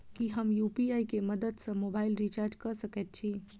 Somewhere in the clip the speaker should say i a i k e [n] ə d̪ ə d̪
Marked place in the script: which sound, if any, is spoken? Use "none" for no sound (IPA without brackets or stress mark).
m